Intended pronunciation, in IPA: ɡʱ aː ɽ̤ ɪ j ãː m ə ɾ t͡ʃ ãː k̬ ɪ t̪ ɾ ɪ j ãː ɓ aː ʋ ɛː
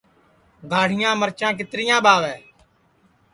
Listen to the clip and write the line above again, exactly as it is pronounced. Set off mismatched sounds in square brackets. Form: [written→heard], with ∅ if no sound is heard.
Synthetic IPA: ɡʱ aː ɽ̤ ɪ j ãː m ə ɾ t͡ʃ ãː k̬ ɪ t̪ ɾ ɪ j ãː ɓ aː ʋ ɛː